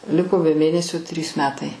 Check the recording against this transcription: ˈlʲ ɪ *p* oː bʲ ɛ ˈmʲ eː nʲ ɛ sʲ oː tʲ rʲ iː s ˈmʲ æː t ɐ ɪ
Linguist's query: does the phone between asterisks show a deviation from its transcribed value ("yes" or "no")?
yes